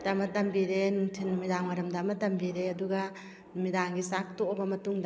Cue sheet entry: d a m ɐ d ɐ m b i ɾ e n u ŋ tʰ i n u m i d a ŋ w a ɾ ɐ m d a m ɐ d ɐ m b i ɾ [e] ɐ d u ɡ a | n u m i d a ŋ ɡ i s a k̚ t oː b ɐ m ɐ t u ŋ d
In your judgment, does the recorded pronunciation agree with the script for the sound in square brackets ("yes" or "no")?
yes